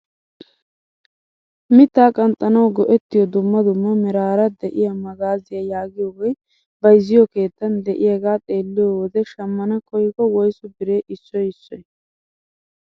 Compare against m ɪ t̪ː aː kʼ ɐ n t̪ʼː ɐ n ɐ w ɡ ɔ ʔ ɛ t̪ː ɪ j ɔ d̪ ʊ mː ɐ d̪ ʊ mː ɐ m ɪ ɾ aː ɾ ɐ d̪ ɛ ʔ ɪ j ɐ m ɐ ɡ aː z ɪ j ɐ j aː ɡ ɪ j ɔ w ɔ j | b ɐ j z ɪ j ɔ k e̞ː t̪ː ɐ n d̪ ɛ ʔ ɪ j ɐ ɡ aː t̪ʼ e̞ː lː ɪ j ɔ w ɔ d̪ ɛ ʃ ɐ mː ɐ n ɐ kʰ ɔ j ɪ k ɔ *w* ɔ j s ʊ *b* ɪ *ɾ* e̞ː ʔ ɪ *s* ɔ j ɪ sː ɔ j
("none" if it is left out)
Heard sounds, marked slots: w, b, ɾ, sː

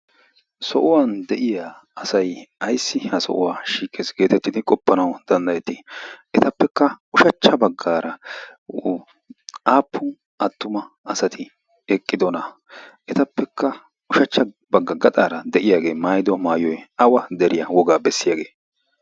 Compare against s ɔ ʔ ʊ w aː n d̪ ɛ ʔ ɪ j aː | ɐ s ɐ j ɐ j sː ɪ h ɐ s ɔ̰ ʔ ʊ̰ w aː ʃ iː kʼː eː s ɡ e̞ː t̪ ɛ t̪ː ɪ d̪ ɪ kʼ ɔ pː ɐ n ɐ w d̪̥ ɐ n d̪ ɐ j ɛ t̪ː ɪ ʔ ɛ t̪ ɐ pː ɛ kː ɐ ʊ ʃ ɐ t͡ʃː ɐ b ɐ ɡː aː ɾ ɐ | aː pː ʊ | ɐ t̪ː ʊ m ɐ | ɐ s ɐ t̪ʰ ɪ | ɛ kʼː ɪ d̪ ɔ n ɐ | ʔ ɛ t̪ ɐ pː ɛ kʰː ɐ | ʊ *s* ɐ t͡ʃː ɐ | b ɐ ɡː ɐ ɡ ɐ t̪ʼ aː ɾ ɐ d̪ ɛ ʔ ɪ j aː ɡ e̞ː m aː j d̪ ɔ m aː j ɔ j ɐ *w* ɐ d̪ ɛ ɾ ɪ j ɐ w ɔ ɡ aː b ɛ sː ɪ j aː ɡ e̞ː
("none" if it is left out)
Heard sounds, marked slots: ʃ, w

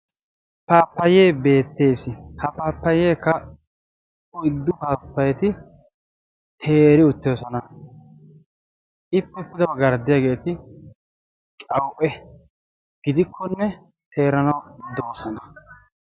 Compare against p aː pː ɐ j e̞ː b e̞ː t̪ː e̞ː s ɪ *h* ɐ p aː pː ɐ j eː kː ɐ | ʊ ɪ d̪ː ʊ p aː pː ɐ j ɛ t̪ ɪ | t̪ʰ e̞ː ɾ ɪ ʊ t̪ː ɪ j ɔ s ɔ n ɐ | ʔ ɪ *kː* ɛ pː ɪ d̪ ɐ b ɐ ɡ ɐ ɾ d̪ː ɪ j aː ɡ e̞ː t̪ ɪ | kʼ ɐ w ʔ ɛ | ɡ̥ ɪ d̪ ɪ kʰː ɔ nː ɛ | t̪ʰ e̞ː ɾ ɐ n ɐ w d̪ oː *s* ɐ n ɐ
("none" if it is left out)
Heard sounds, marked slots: h, pː, s

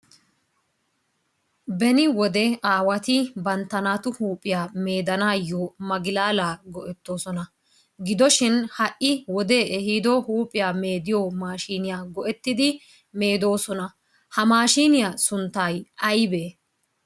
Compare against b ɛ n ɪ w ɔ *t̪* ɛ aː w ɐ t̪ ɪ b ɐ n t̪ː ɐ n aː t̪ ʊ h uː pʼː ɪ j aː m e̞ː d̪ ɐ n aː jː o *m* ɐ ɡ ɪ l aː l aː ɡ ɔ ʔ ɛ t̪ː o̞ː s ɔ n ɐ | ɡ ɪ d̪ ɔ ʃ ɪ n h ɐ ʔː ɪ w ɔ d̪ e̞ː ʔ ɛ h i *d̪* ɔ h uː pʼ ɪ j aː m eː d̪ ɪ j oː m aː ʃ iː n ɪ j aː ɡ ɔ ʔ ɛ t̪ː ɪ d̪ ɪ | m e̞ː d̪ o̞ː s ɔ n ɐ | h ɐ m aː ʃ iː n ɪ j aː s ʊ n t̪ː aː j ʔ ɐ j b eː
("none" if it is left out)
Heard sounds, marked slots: d̪, m, d̪

